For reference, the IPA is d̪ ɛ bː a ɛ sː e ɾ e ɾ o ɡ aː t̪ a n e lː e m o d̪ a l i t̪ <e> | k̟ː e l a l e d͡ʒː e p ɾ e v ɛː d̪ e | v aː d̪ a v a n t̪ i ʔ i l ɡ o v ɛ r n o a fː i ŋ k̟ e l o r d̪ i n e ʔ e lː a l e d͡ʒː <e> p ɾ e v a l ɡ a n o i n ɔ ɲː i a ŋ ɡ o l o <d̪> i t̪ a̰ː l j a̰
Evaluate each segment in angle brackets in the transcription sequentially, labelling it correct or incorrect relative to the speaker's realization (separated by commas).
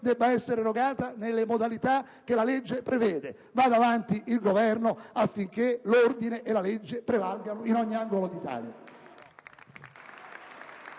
incorrect, correct, correct